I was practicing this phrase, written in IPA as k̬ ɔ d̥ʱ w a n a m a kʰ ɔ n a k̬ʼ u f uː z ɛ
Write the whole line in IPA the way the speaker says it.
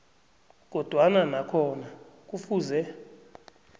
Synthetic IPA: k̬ ɔ d̥ʱ w a n a n a kʰ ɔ n a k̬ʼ u f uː z ɛ